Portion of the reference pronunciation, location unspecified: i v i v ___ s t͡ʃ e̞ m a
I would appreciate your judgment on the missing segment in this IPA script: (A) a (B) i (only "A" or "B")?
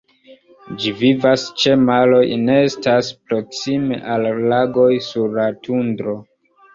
A